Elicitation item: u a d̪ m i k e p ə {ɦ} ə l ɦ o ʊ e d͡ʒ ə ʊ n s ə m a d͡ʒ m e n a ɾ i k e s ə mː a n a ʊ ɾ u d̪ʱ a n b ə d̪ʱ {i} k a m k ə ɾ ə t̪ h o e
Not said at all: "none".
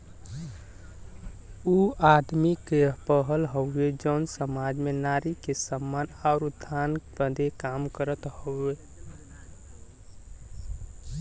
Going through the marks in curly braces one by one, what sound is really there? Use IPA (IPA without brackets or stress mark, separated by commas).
ɦ, e